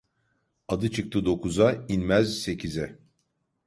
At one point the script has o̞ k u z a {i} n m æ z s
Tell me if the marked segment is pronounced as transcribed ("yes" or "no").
yes